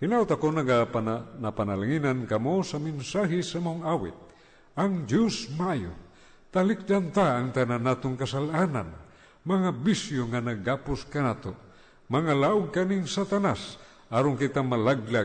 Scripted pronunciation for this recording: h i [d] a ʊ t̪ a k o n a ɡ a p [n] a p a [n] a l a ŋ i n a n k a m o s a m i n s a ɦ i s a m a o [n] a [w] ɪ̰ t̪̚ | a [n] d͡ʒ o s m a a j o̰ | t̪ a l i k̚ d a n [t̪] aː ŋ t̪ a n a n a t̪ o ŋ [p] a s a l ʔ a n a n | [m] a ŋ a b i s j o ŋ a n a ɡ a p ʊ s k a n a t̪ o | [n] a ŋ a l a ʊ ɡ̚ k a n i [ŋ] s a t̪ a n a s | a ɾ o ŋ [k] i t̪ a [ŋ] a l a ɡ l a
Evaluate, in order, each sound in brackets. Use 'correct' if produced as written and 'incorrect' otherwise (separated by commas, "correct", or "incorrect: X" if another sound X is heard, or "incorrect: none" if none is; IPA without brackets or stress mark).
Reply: incorrect: n, correct, correct, incorrect: ŋ, correct, incorrect: ŋ, correct, incorrect: k, correct, incorrect: m, correct, correct, incorrect: m